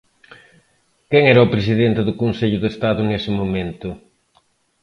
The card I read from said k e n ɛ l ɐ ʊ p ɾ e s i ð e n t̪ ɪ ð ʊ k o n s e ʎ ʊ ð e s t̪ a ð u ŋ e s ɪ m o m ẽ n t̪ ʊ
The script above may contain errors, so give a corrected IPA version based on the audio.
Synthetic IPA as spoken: k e ŋ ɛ ɾ ɐ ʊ p ɾ e s i ð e n t̪ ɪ ð ʊ k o n s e ʎ ʊ ð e s t̪ a ð ʊ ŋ e s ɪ m o m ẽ n t̪ ʊ

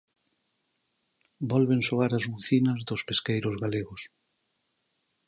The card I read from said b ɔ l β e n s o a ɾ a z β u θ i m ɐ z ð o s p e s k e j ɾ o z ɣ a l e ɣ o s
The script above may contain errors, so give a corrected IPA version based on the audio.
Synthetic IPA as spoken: b ɔ l β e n s o a ɾ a z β u θ i n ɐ z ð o s p e s k e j ɾ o z ɣ a l e ɣ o s

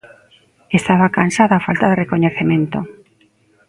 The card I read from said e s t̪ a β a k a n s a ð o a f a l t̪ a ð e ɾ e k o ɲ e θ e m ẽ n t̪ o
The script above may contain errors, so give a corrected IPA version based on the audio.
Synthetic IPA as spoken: e s t̪ a β a k a n s a ð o a f a l t̪ a ð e r e k o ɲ e θ e m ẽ n t̪ o

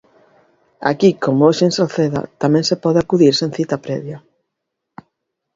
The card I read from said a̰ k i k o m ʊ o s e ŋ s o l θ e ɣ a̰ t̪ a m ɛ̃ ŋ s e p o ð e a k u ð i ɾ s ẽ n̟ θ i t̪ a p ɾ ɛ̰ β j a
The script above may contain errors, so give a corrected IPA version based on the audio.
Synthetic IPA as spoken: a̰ k i k o m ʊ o ʃ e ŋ s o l θ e ð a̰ t̪ a m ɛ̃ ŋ s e p ɔ ð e a k u ð i ɾ s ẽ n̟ θ i t̪ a p ɾ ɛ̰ β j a

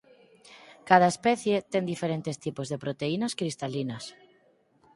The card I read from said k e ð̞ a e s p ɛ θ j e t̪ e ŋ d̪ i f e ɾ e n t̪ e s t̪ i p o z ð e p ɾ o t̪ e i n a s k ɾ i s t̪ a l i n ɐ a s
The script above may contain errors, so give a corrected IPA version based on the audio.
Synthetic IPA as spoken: k a ð̞ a e s p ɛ θ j e t̪ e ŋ d̪ i f e ɾ e n t̪ e s t̪ i p o z ð e p ɾ o t̪ e i n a s k ɾ i s t̪ a l i n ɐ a s

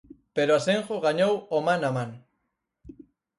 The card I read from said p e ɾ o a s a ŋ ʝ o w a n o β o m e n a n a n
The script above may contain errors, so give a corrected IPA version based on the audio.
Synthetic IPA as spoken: p e ɾ o a s e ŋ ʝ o ɣ a ɲ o w o m a n a m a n

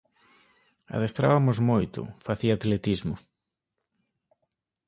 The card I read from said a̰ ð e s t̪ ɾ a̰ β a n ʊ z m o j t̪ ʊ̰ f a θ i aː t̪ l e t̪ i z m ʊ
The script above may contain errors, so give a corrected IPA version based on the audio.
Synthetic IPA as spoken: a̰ ð e s t̪ ɾ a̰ β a m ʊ z m o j t̪ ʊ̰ f a θ i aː t̪ l e t̪ i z m ʊ

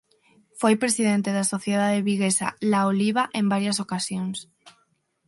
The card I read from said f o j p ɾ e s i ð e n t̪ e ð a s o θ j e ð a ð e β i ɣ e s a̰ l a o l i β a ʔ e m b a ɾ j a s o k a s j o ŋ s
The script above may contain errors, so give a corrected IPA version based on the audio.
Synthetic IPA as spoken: f o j p ɾ e s i ð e n t̪ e ð a s o θ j e ð a ð e β i ɣ e s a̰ l a o l i β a ʔ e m b a ɾ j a s o k a s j o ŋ s

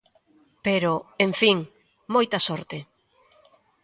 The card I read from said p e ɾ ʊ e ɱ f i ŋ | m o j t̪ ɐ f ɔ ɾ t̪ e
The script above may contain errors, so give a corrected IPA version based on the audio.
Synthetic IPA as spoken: p e ɾ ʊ e ɱ f i ŋ | m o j t̪ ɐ s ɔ ɾ t̪ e

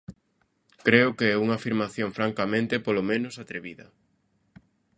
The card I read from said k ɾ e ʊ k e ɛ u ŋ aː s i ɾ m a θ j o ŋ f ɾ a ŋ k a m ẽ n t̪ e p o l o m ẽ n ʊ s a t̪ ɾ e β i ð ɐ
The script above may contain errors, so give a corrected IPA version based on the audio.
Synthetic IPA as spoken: k ɾ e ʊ k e ɛ u ŋ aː f i ɾ m a θ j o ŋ f ɾ a ŋ k a m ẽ n t̪ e p o l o m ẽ n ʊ s a t̪ ɾ e β i ð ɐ

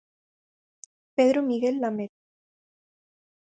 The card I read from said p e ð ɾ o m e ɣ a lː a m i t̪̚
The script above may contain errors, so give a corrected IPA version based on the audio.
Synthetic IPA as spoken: p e ð ɾ o m i ɣ e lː a m e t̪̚

